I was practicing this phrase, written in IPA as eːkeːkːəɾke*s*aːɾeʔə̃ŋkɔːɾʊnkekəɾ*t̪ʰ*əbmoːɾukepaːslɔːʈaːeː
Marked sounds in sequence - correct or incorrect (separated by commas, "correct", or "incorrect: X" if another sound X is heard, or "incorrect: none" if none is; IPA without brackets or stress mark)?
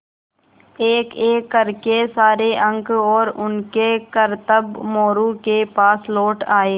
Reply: correct, incorrect: t̪